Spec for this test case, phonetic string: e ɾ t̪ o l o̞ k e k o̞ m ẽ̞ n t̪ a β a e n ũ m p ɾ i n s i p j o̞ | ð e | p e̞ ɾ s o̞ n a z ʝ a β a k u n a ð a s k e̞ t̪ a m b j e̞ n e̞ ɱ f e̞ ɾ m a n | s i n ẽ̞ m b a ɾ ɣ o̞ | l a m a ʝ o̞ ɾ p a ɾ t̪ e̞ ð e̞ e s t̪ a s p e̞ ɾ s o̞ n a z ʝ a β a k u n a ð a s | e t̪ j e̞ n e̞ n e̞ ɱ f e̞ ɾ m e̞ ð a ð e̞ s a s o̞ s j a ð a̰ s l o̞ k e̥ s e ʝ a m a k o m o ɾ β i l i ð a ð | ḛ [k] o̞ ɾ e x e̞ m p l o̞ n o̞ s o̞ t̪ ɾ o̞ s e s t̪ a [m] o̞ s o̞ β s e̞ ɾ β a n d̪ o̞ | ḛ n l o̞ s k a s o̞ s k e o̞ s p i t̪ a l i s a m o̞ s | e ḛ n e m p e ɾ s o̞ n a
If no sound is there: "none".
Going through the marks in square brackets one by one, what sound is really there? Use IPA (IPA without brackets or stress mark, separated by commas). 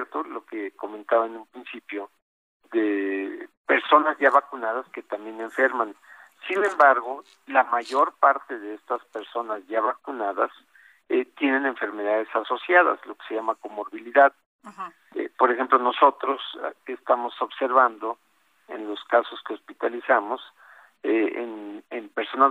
p, m